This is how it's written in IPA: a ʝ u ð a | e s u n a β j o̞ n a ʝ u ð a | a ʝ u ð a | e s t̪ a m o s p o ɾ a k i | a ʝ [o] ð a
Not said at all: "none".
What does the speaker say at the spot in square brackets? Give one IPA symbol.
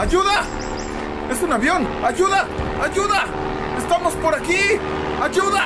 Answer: u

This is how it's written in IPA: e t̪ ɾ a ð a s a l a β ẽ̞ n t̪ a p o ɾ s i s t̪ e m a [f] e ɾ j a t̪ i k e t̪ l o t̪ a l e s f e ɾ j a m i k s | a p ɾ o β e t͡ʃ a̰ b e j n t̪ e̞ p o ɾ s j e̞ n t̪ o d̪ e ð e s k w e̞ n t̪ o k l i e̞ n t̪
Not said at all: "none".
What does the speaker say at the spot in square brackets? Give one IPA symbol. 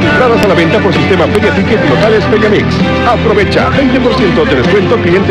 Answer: f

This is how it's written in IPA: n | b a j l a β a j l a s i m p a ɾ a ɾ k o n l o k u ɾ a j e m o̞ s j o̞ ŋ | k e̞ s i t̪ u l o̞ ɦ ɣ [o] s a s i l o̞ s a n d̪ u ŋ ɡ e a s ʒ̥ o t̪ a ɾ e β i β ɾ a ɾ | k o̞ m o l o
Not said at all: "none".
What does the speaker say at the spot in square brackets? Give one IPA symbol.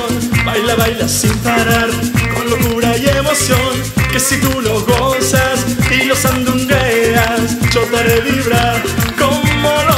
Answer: o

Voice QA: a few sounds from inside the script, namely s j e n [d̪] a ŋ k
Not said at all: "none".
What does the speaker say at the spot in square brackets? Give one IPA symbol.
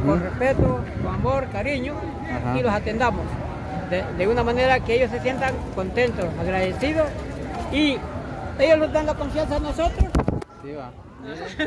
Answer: t̪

